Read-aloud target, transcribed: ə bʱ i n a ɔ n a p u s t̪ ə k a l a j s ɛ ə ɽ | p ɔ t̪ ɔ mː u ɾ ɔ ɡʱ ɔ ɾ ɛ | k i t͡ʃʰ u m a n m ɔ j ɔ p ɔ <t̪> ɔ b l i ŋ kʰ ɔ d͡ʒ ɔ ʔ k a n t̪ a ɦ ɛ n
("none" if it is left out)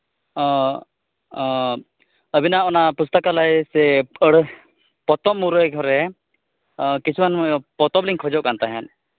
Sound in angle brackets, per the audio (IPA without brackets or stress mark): t̪